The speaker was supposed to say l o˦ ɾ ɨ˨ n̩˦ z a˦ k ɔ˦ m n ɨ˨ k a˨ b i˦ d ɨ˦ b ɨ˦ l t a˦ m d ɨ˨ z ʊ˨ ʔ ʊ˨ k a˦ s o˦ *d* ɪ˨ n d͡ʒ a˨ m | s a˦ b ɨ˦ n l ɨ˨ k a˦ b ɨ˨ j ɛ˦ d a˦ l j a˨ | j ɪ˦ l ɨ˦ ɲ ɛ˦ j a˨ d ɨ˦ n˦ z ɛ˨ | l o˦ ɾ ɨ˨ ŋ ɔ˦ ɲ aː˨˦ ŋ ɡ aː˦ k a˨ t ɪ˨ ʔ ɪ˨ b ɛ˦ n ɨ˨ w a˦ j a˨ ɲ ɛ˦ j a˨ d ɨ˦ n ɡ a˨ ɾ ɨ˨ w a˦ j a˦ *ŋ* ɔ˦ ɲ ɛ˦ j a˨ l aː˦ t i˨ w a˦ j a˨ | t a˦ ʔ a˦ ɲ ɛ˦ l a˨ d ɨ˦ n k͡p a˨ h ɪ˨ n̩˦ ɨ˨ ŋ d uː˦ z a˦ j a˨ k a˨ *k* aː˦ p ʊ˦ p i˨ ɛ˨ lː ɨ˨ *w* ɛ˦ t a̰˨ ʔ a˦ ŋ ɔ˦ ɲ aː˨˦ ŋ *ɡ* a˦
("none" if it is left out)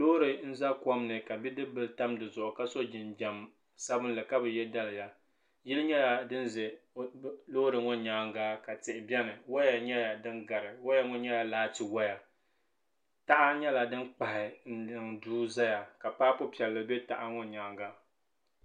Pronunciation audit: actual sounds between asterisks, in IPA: d͡ʒ, ŋ, p, b, ɡ

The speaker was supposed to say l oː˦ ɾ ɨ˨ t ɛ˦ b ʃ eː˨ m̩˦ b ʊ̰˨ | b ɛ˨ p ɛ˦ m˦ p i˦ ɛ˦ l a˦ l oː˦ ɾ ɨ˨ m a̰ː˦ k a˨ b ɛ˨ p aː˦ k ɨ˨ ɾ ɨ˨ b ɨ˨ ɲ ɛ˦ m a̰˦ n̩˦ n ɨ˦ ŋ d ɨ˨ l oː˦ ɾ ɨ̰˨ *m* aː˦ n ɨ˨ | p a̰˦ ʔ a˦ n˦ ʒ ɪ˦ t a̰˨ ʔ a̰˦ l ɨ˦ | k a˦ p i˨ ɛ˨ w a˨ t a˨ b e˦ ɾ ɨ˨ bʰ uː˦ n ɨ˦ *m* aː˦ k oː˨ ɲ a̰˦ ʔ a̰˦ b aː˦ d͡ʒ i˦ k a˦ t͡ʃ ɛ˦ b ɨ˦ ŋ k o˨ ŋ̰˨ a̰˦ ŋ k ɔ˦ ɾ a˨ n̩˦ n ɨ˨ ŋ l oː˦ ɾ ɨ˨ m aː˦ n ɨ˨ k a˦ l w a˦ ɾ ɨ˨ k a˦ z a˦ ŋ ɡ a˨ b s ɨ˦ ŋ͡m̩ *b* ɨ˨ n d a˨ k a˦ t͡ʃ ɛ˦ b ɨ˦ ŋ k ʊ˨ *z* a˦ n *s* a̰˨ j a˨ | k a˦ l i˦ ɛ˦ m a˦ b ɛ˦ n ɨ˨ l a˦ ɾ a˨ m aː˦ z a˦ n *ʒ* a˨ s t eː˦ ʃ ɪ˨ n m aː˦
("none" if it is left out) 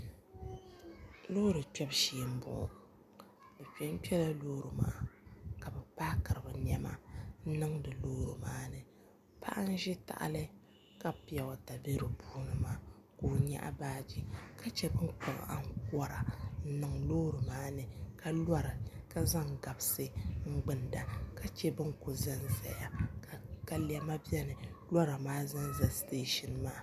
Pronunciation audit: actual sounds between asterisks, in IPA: m, m, ɡ͡b, z, z, z

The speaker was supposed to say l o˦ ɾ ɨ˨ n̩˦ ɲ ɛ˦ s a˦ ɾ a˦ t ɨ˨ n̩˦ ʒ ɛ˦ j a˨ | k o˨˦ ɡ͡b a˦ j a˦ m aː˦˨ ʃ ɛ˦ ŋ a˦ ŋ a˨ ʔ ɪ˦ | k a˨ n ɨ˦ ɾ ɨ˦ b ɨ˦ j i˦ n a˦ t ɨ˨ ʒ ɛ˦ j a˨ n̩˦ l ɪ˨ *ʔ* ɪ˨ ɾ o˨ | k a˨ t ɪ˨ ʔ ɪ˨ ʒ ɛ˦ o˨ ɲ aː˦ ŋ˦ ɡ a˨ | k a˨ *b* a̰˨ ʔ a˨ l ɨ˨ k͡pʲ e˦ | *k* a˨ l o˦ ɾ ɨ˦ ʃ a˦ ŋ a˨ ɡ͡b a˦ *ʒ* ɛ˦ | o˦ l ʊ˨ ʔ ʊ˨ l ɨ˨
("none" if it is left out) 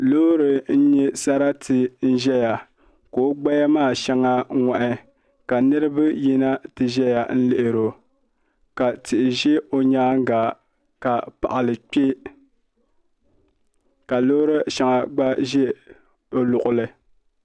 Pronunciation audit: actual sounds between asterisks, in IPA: ʔ, p, k, ʒ

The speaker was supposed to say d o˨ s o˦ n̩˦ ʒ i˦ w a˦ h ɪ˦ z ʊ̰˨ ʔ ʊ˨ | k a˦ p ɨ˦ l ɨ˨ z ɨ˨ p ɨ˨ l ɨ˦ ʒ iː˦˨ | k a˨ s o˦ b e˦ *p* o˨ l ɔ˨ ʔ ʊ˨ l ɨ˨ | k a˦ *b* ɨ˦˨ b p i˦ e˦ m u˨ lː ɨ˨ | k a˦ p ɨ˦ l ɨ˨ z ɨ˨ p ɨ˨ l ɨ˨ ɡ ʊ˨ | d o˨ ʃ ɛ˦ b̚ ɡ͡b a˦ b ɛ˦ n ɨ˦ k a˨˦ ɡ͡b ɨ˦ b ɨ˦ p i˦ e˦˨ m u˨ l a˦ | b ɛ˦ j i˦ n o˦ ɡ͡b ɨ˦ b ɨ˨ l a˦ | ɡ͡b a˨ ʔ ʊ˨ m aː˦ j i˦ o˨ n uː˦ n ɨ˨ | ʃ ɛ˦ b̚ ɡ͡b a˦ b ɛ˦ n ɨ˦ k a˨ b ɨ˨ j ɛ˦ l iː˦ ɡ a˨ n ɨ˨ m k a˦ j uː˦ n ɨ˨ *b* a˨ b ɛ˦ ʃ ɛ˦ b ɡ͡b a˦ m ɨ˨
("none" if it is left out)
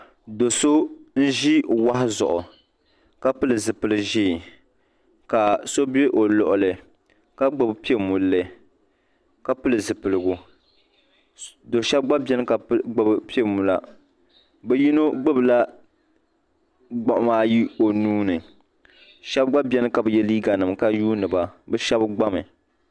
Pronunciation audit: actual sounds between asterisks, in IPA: ʔ, ɡ͡b, b

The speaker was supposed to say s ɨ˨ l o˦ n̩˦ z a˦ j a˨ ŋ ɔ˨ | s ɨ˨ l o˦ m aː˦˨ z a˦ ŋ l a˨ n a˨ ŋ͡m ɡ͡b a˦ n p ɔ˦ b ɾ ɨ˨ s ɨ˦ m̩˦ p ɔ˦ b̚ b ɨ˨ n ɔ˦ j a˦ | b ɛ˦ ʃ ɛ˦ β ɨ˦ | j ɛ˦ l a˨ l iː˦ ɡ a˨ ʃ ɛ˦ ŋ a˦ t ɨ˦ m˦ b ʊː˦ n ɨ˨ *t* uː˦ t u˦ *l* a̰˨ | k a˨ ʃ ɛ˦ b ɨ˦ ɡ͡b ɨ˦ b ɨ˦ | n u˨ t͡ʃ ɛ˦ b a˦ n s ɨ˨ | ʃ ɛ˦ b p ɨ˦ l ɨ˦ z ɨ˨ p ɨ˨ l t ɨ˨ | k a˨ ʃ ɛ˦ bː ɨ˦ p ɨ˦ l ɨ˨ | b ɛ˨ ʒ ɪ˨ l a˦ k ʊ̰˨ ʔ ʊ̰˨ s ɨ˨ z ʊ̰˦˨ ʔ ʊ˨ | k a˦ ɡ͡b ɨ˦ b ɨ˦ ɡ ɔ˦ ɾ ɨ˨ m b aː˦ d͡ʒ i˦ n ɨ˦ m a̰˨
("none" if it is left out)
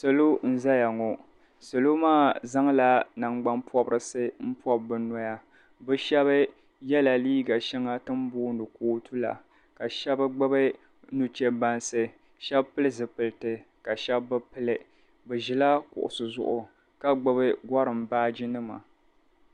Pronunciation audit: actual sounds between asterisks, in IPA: k, l

